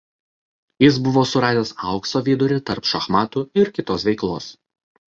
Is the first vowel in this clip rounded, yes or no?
no